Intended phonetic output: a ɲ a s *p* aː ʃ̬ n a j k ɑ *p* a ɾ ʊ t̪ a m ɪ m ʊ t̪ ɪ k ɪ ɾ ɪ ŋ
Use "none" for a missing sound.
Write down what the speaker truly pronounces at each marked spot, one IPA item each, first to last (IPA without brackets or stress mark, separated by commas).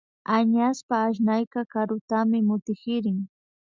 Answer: p, k